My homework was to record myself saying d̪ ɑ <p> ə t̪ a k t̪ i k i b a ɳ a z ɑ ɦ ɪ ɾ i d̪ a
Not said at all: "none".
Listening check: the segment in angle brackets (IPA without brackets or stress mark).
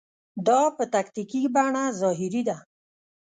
p